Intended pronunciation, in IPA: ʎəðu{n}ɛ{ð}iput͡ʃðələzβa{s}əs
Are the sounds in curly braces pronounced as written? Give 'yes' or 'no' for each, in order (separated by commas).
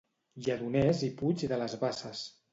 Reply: yes, no, yes